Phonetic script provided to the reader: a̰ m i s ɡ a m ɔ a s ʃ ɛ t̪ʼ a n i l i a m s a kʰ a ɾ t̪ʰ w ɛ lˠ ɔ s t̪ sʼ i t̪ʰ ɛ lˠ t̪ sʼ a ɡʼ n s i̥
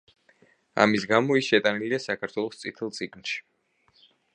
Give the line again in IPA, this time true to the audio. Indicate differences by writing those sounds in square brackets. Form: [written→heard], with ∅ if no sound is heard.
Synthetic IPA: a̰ m i s ɡ a m ɔ [a→i] s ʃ ɛ t̪ʼ a n i l i a [m→∅] s a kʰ a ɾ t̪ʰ w ɛ lˠ ɔ s t̪ sʼ i t̪ʰ ɛ lˠ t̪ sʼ [a→i] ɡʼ n [s→ʃ] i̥